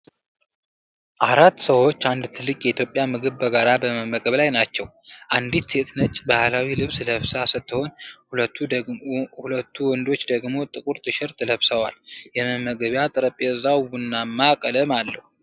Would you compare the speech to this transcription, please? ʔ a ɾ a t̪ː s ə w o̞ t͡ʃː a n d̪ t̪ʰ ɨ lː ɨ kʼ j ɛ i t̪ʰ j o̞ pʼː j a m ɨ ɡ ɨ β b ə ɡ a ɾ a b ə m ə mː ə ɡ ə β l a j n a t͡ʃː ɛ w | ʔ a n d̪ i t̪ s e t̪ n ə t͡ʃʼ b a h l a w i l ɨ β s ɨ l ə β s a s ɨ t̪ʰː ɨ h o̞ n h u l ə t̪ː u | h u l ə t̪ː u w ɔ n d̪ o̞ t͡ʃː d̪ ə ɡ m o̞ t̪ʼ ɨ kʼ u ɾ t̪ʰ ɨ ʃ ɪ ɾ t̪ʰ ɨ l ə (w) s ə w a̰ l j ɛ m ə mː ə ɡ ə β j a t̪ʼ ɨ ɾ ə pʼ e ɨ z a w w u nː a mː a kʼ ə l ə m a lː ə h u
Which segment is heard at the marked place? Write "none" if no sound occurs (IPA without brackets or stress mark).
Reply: β